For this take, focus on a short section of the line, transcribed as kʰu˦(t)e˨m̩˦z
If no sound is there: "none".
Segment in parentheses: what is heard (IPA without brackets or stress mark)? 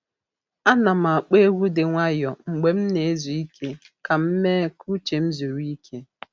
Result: t͡ʃ